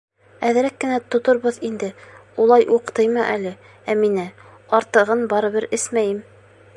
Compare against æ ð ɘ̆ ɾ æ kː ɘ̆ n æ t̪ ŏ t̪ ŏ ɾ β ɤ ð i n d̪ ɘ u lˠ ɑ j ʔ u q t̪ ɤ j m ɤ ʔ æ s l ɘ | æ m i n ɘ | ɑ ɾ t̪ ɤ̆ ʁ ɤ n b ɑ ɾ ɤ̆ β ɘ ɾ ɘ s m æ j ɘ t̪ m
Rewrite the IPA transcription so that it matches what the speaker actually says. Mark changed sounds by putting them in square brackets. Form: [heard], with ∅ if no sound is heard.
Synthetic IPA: æ ð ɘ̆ ɾ æ kː ɘ̆ n æ t̪ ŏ t̪ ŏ ɾ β ɤ ð i n d̪ ɘ u lˠ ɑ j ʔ u q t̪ ɤ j m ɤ ʔ æ [∅] l ɘ | æ m i n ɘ | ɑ ɾ t̪ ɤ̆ ʁ ɤ n b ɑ ɾ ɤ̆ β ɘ ɾ ɘ s m æ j ɘ [∅] m